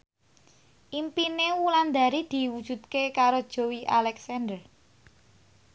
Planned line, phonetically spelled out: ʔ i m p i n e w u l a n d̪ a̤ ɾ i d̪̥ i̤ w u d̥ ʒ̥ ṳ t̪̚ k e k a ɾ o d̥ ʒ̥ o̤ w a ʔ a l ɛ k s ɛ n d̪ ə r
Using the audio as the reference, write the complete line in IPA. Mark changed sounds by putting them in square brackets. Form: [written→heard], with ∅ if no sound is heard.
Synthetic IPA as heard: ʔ i m p i n e w u l a n d̪ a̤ ɾ i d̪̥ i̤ w u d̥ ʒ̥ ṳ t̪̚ k e k a ɾ o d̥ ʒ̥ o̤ w [a→i] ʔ a l ɛ k s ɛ n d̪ ə r